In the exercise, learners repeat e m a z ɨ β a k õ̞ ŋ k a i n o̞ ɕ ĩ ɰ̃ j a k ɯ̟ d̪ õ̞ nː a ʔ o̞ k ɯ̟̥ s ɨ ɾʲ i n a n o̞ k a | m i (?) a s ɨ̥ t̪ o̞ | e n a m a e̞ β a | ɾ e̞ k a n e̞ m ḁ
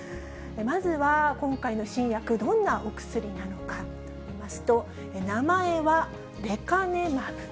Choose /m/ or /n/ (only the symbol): m